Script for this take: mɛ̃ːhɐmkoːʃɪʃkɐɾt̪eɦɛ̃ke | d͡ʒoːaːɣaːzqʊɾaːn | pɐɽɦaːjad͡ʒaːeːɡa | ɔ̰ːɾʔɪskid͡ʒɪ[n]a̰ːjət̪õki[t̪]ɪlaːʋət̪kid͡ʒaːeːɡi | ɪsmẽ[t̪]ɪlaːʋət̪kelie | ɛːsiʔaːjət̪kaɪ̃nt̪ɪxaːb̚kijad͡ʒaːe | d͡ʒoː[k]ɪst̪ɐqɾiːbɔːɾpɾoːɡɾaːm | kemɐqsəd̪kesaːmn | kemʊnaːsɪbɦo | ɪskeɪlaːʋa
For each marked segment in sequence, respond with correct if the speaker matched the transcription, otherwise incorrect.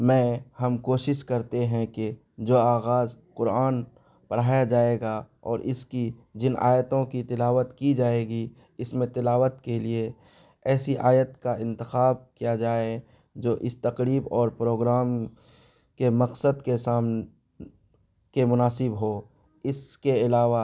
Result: correct, correct, correct, incorrect: ʔ

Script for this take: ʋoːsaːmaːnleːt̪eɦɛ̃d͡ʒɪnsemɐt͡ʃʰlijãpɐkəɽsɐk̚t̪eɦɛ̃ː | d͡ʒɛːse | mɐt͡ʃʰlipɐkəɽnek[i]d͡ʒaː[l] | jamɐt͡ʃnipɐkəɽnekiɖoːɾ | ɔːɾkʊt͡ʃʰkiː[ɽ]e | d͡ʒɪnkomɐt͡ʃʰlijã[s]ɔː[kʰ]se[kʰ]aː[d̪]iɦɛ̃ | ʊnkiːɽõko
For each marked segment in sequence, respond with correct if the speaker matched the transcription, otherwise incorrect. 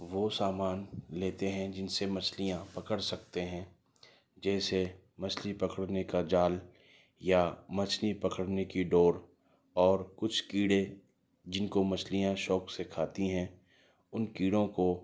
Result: incorrect: a, correct, correct, incorrect: ʃ, incorrect: k, correct, incorrect: t̪

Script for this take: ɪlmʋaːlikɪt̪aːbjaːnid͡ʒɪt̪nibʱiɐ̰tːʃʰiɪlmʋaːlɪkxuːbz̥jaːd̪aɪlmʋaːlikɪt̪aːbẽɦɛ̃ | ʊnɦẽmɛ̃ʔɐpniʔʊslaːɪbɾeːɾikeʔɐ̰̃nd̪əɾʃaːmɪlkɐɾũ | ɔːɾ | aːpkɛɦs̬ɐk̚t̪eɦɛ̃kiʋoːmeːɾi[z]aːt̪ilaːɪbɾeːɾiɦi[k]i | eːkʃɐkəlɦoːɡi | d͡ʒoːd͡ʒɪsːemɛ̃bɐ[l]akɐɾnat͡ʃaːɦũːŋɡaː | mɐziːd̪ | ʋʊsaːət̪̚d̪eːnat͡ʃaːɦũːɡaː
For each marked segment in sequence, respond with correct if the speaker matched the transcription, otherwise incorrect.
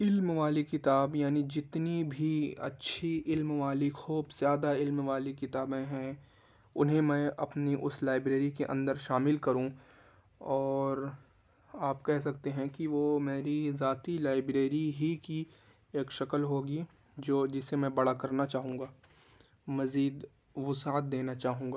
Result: correct, correct, incorrect: ɽ

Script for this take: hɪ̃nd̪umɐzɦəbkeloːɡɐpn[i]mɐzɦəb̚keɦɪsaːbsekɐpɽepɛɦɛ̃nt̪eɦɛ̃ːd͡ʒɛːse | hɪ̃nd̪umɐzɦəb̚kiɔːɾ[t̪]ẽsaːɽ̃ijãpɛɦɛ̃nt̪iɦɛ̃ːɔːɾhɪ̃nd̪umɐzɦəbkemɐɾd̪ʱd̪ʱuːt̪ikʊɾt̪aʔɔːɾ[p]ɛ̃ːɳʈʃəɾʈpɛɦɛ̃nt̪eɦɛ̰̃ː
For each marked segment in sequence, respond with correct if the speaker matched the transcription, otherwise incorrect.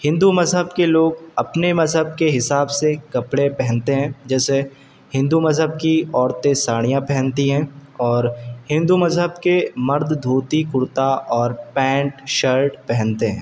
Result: incorrect: e, correct, correct

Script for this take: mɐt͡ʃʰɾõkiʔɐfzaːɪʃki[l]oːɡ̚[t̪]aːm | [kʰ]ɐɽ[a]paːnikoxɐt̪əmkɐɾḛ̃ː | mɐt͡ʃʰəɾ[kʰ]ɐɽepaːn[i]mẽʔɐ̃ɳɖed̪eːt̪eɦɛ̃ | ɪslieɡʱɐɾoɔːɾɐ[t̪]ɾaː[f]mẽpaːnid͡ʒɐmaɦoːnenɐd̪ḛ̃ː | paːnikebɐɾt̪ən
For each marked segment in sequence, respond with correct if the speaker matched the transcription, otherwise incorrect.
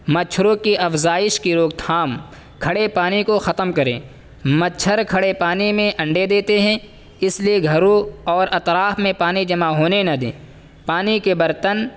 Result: incorrect: ɾ, incorrect: t̪ʰ, correct, incorrect: e, correct, correct, correct, correct

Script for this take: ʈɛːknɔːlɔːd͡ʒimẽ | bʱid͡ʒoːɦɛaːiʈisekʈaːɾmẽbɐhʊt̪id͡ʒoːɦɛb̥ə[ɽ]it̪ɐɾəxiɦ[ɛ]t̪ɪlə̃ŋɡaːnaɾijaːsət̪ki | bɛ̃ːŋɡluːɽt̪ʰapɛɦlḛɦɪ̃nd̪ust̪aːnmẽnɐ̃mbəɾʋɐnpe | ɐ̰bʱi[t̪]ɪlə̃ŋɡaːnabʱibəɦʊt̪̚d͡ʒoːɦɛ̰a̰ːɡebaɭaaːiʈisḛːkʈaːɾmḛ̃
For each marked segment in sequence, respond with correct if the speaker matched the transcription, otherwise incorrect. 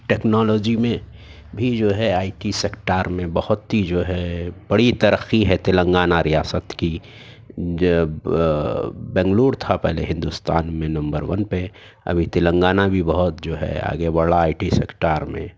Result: correct, correct, correct

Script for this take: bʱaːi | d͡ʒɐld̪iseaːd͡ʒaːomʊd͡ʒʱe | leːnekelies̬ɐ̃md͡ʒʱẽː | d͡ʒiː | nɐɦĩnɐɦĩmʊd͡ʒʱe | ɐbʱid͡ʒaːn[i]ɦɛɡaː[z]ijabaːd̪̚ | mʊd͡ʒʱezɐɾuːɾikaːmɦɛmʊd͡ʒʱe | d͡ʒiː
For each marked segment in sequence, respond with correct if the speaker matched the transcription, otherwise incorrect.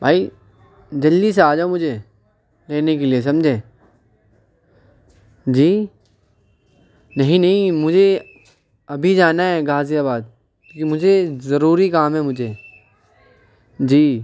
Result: incorrect: a, correct

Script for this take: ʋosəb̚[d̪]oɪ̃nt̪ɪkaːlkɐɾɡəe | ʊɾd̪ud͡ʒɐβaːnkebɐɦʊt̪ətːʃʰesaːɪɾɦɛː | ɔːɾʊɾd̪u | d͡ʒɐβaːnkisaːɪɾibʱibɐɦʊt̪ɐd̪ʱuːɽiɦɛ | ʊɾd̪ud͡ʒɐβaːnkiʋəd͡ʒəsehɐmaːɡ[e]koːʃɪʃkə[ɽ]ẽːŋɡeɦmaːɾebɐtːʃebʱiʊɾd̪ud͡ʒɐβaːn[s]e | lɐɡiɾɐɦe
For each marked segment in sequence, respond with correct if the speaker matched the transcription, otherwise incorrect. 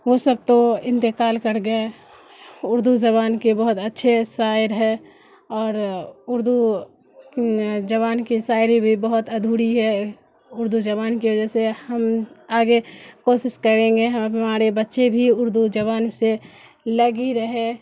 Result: incorrect: t̪, correct, incorrect: ɾ, correct

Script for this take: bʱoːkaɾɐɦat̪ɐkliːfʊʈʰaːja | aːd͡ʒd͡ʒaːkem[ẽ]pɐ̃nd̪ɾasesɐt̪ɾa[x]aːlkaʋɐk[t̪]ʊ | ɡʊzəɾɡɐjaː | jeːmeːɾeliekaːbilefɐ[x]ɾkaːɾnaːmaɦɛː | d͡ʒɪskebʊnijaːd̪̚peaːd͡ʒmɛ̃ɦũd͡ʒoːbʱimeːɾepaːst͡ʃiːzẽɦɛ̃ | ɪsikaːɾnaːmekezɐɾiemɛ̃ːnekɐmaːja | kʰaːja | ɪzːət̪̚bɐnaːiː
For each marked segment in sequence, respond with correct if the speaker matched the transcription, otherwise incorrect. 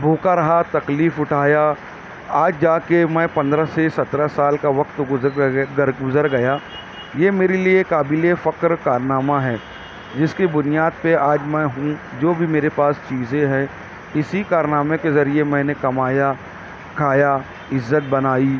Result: incorrect: ɛ̃, incorrect: s, correct, incorrect: k

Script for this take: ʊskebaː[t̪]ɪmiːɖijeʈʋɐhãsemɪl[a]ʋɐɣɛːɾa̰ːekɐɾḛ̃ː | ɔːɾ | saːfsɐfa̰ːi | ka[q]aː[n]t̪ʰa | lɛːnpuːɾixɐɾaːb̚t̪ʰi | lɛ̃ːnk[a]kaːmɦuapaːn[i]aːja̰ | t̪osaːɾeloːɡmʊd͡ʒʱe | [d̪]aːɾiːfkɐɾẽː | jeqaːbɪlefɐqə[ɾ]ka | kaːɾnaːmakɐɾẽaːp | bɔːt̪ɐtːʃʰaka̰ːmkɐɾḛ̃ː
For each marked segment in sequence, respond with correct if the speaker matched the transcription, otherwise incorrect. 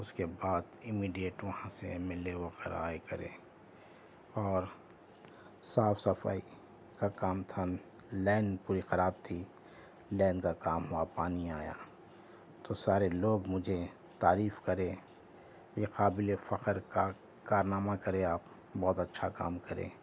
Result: incorrect: d̪, incorrect: e, incorrect: k, incorrect: m, correct, correct, incorrect: t̪, correct

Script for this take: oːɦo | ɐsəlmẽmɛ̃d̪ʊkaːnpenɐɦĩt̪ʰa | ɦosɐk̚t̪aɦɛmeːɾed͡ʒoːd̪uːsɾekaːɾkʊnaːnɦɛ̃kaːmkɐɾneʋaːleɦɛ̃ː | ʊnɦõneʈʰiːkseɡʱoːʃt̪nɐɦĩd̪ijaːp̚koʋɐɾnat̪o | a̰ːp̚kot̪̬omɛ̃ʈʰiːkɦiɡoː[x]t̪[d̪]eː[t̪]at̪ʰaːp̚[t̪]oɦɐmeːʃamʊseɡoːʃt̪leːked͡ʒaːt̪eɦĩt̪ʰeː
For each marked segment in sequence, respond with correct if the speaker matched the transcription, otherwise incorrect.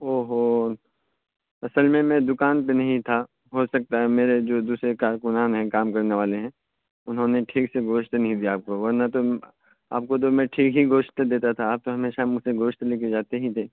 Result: incorrect: ʃ, correct, correct, correct

